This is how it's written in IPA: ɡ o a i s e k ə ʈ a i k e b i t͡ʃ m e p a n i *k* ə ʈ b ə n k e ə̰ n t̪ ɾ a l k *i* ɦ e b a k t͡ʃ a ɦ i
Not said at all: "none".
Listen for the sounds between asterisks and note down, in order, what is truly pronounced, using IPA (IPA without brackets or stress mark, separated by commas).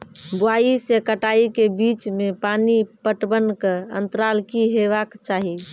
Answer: p, i